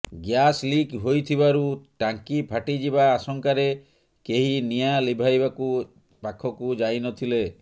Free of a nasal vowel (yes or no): yes